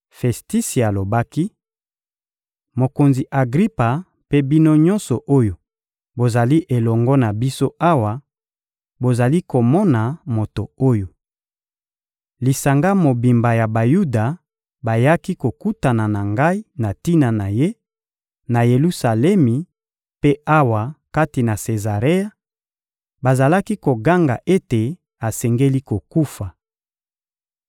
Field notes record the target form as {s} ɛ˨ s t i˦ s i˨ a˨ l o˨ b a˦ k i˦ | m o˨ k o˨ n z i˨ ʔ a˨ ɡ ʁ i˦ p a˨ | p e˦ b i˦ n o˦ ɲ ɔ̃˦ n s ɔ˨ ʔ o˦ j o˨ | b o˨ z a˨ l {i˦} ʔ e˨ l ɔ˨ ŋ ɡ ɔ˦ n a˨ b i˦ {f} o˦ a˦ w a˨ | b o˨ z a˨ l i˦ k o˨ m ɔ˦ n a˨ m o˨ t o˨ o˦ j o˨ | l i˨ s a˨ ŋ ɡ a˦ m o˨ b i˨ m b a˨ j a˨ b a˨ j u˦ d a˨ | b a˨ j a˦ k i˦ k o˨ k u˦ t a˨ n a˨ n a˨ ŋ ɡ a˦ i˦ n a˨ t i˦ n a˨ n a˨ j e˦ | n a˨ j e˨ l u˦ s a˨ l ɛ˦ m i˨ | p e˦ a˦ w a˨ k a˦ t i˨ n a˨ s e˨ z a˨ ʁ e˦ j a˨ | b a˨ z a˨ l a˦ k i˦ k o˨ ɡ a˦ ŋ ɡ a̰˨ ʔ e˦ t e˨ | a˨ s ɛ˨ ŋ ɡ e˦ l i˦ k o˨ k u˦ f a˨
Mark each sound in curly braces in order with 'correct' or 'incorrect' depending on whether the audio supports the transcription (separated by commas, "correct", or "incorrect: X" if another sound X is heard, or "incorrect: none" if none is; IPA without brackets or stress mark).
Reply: incorrect: f, correct, incorrect: s